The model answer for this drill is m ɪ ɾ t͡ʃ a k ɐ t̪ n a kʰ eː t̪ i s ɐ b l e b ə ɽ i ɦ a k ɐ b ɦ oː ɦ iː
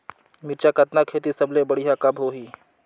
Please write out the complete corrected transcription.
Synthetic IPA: m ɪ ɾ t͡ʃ a k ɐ t̪ n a kʰ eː t̪ i s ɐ b l e b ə ɽ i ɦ a k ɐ b ɦ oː ɦ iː